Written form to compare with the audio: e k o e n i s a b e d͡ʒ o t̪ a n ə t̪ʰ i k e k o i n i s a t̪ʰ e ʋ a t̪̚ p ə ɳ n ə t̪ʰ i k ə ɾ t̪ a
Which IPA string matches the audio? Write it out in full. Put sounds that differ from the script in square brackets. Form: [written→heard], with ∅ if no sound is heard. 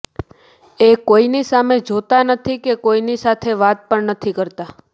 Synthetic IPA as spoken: e k o [e→i] n i s a [b→m] e d͡ʒ o t̪ a n ə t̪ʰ i k e k o i n i s a t̪ʰ e ʋ a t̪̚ p ə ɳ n ə t̪ʰ i k ə ɾ t̪ a